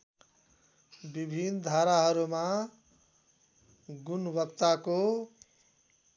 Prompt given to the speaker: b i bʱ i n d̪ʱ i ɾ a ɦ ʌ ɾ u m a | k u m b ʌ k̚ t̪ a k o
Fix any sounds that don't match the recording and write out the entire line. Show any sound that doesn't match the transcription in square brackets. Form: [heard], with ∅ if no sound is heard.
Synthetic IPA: b i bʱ i n d̪ʱ [a] ɾ a ɦ ʌ ɾ u m a | [ɡ] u [n] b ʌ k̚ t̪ a k o